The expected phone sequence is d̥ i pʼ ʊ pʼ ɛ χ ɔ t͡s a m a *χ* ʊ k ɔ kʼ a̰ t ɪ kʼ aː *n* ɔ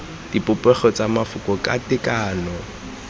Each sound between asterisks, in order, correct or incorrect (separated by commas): incorrect, correct